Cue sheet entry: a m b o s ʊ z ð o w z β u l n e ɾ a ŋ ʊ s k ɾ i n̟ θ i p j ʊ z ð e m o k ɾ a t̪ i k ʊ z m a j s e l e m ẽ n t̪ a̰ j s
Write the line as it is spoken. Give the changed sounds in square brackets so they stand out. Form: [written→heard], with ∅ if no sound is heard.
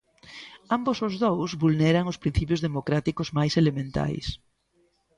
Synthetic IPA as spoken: a m b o s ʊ z ð o w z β u l n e ɾ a ŋ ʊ s [k→p] ɾ i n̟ θ i p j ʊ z ð e m o k ɾ a t̪ i k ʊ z m a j s e l e m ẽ n t̪ a̰ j s